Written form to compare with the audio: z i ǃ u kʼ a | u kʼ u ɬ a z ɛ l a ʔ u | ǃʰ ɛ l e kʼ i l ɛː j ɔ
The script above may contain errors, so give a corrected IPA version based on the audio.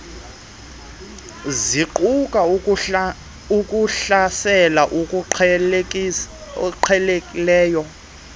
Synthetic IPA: z i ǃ u kʼ a | u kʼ u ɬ a s ɛ l a ʔ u | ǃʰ ɛ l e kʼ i l ɛː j ɔ